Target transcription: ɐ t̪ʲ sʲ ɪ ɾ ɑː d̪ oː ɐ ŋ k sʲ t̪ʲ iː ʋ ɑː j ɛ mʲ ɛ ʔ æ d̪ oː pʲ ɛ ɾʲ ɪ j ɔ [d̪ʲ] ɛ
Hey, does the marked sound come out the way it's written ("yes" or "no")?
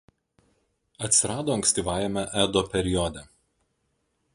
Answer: yes